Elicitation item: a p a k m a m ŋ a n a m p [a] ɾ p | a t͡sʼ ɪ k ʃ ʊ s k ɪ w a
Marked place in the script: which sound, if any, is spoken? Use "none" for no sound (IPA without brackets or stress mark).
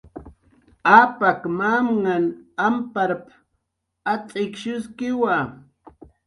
a